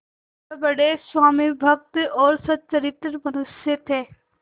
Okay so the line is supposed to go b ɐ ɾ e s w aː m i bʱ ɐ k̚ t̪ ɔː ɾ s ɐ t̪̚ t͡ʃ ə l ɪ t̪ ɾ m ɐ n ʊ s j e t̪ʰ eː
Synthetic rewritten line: b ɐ ɽ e s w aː m i bʱ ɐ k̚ t̪ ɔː ɾ s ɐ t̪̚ t͡ʃ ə ɾ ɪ t̪ ɾ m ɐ n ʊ s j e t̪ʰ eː

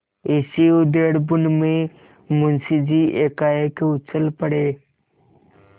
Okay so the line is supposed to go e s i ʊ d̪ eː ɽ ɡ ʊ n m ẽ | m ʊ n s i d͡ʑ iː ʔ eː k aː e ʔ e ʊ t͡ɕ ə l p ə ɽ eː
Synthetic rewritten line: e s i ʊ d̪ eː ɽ b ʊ n m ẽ | m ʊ n s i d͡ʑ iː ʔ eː k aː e k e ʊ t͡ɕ ə l p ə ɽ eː

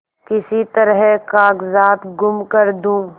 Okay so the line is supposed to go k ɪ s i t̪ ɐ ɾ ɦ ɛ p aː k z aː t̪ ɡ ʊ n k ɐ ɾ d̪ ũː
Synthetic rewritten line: k ɪ s i t̪ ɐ ɾ ɦ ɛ k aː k z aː t̪ ɡ ʊ m k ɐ ɾ d̪ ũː

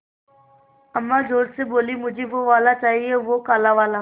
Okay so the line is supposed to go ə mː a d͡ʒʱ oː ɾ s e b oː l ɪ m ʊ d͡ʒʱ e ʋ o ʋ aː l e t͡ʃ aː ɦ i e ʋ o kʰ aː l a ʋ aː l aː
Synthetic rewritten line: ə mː a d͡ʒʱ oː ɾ s e b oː l i m ʊ d͡ʒʱ e ʋ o ʋ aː l a t͡ʃ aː ɦ i e ʋ o k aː l a ʋ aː l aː

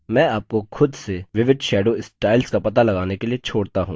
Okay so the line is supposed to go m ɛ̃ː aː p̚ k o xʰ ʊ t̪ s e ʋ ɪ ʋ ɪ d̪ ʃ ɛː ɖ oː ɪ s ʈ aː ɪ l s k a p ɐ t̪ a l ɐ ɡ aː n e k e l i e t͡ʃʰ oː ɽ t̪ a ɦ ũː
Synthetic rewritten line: m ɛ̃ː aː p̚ k o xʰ ʊ d̪ s e ʋ ɪ ʋ ɪ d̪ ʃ ɛː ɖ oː ɪ s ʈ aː ɪ l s k a p ɐ t̪ a l ɐ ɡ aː n e k e l i e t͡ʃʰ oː ɽ t̪ a ɦ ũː

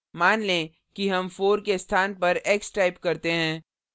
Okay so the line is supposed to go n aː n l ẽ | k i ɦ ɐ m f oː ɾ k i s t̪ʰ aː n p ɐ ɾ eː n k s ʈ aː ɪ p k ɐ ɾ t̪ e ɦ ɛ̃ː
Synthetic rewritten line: m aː n l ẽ | k i ɦ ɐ m f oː ɾ k e s t̪ʰ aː n p ɐ ɾ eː k s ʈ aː ɪ p k ɐ ɾ t̪ e ɦ ɛ̃ː

